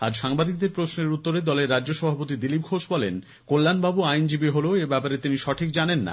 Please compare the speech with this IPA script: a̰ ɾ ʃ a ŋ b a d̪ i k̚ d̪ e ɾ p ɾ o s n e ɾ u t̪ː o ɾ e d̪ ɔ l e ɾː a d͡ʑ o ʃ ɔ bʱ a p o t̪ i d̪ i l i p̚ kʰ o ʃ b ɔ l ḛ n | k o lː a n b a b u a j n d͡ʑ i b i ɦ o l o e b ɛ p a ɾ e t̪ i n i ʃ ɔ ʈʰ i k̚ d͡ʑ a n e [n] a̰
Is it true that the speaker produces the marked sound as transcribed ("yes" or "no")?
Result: no